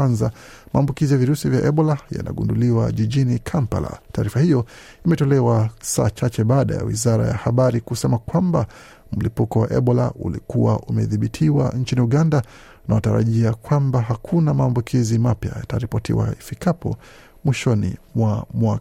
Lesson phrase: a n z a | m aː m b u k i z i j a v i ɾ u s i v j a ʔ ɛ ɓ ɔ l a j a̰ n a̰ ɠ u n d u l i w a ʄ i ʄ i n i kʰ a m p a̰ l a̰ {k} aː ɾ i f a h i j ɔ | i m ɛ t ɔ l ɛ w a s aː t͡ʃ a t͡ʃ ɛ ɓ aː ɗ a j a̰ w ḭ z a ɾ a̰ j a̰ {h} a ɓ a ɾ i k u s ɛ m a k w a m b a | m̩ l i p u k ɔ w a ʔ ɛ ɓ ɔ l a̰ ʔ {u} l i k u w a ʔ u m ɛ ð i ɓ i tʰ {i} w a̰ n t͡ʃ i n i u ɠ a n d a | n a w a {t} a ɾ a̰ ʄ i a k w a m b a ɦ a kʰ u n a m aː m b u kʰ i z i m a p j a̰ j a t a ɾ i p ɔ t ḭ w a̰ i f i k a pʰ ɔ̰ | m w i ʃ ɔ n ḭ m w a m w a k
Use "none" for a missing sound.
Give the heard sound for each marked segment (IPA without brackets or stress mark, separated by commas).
t, h, u, i, t